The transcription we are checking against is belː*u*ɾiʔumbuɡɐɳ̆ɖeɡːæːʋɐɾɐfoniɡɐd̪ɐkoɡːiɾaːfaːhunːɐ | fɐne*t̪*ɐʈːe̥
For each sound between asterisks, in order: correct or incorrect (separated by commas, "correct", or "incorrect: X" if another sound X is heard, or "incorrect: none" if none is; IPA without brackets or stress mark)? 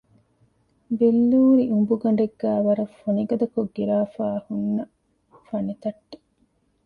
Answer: incorrect: uː, correct